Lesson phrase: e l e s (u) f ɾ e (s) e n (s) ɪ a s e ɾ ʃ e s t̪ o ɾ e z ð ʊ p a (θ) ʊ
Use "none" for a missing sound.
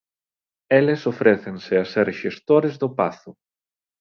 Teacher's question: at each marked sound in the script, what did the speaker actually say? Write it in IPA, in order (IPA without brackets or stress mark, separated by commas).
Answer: o, θ, s, θ